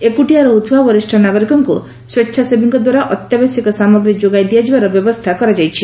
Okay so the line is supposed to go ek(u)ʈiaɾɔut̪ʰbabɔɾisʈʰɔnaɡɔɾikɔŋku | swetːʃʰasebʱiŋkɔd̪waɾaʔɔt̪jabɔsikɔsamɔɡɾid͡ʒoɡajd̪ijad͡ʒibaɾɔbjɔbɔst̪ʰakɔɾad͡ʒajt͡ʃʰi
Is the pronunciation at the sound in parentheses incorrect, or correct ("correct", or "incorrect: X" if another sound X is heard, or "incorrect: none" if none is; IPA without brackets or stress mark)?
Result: correct